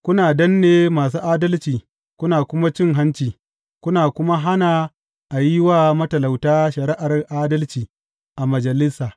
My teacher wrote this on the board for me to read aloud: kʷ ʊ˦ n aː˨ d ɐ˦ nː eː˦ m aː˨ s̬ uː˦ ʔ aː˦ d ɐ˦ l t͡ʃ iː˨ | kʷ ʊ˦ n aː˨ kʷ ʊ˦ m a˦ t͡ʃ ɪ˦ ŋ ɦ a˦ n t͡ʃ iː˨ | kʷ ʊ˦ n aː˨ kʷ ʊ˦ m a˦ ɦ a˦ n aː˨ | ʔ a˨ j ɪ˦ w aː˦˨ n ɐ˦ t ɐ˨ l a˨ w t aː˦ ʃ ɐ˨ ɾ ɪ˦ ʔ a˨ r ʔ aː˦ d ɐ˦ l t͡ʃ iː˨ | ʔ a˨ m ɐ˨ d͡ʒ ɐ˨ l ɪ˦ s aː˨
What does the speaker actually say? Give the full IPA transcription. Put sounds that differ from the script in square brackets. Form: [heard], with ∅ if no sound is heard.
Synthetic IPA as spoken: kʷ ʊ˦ n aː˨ d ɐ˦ nː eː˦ m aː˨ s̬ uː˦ ʔ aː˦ d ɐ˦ l t͡ʃ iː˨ | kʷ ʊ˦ n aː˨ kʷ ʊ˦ m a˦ t͡ʃ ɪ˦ ŋ ɦ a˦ n t͡ʃ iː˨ | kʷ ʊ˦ n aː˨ kʷ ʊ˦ m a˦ ɦ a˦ n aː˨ | ʔ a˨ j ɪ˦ w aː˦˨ [m] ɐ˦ t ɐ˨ l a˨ w t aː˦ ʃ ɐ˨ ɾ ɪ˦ ʔ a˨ r ʔ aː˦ d ɐ˦ l t͡ʃ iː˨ | ʔ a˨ m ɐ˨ d͡ʒ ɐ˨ l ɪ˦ s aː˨